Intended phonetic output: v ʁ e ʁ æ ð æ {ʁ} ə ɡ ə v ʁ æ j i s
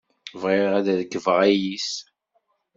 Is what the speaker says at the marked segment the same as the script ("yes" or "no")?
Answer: no